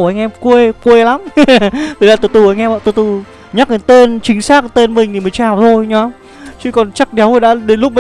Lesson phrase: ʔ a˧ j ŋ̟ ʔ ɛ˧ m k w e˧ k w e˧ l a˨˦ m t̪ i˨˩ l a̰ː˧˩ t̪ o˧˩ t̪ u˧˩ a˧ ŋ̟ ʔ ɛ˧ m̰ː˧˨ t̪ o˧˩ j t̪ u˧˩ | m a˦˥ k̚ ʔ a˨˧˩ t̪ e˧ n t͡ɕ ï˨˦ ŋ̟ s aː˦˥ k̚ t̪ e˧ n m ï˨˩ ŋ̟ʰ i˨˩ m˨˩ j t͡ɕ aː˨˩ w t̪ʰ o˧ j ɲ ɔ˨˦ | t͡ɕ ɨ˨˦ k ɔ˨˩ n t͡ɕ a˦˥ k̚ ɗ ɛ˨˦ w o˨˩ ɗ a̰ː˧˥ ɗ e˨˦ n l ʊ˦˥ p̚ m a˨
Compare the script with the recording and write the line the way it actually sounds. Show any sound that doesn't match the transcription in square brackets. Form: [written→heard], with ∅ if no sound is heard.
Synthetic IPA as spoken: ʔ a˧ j ŋ̟ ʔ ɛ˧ m k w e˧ k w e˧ l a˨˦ m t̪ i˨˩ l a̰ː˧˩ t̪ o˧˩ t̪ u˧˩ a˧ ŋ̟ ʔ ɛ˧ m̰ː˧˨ t̪ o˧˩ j t̪ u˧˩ | [m→ɲ] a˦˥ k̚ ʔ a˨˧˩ t̪ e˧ n t͡ɕ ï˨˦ ŋ̟ s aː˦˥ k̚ t̪ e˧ n m ï˨˩ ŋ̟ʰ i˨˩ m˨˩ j t͡ɕ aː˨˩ w t̪ʰ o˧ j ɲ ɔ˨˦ | t͡ɕ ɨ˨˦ k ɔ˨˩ n t͡ɕ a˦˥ k̚ ɗ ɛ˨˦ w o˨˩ ɗ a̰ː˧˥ ɗ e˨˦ n l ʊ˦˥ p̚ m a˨

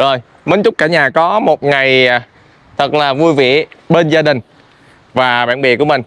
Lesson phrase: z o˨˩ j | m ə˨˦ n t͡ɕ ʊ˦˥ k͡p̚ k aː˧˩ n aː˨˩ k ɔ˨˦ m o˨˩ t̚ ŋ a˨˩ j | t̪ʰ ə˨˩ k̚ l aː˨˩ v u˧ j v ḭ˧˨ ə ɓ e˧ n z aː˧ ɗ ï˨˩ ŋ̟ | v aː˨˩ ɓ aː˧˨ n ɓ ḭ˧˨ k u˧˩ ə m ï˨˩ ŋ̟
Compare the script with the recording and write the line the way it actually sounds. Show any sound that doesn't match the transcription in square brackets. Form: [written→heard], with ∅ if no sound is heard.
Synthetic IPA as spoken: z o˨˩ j | m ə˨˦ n t͡ɕ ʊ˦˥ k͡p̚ k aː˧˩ [n→ɲ] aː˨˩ k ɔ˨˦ m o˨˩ t̚ ŋ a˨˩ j | t̪ʰ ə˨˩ k̚ l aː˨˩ v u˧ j v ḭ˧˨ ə ɓ e˧ n z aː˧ ɗ ï˨˩ ŋ̟ | v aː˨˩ ɓ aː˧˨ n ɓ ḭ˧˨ k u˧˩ ə m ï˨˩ ŋ̟

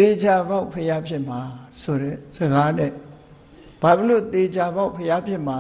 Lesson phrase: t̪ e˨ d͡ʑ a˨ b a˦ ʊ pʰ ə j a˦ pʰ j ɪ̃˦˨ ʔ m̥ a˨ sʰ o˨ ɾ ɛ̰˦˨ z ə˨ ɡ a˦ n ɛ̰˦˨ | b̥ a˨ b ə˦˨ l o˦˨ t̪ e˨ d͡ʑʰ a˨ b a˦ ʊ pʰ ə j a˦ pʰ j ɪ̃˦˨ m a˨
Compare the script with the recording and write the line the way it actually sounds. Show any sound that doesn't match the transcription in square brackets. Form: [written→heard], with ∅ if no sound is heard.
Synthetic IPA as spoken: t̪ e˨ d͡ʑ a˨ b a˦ ʊ pʰ ə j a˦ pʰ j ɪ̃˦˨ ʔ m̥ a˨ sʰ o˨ ɾ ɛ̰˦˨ z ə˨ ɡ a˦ n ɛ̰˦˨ | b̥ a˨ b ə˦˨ l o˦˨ t̪ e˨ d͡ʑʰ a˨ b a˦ ʊ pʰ ə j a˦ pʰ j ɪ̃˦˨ m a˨

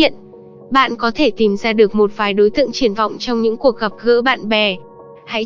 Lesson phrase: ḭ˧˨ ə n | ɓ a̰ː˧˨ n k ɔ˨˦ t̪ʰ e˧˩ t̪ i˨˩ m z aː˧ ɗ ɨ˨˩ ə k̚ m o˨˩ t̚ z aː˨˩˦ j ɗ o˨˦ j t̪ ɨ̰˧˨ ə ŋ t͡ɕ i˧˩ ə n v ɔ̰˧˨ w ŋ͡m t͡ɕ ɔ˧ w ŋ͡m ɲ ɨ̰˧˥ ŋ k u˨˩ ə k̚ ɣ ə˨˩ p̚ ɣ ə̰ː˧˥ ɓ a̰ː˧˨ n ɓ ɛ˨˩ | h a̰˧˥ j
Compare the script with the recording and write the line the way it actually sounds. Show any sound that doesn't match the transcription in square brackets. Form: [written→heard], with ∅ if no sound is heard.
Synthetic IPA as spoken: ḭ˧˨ ə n | ɓ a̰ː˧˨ n k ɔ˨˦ t̪ʰ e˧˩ t̪ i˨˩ m z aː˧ ɗ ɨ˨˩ ə k̚ m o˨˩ t̚ [z→v] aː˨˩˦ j ɗ o˨˦ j t̪ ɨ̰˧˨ ə ŋ t͡ɕ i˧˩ ə n v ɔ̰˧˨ w ŋ͡m t͡ɕ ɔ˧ w ŋ͡m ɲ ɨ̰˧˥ ŋ k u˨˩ ə k̚ ɣ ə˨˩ p̚ ɣ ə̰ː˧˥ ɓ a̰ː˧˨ n ɓ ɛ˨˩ | h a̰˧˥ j

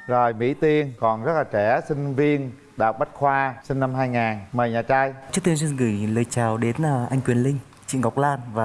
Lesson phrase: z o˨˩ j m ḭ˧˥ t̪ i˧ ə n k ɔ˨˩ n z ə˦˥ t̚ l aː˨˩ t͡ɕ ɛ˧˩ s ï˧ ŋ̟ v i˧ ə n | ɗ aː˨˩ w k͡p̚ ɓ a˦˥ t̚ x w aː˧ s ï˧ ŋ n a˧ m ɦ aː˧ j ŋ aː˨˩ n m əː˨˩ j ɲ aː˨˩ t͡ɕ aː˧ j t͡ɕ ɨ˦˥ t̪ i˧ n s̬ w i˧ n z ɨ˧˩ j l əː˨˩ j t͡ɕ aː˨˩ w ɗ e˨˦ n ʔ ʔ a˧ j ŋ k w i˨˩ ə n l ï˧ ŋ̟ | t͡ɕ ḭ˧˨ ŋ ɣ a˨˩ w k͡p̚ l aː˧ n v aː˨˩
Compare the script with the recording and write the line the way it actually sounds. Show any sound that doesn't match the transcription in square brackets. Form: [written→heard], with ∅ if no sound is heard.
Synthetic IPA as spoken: z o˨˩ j m ḭ˧˥ t̪ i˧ ə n k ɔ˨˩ n z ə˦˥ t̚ l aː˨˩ t͡ɕ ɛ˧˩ s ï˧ ŋ̟ v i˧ ə n | ɗ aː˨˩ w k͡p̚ ɓ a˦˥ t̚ x w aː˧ s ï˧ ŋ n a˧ m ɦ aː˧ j ŋ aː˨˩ n m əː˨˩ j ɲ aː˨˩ t͡ɕ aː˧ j t͡ɕ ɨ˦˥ t̪ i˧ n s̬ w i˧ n [z→ɣ] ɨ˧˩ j l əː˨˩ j t͡ɕ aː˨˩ w ɗ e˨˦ n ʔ ʔ a˧ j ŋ k w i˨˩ ə n l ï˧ ŋ̟ | t͡ɕ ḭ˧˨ ŋ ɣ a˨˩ w k͡p̚ l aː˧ n v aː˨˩

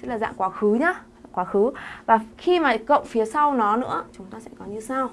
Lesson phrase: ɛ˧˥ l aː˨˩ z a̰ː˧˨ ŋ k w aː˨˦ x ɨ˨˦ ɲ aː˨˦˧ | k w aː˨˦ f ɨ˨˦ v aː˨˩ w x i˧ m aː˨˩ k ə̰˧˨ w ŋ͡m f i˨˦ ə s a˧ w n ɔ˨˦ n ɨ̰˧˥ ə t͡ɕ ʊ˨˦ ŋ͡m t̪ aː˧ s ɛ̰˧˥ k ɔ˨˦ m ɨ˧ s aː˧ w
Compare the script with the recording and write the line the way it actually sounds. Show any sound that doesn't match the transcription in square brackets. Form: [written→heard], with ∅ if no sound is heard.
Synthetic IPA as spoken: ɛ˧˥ l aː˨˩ z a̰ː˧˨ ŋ k w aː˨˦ x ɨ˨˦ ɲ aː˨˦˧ | k w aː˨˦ [f→x] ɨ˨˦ v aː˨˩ [w→∅] x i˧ m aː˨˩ k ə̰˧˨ w ŋ͡m f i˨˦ ə s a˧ w n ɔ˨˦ n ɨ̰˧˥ ə t͡ɕ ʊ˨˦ ŋ͡m t̪ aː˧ s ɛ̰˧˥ k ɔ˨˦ [m→ɲ] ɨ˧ s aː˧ w

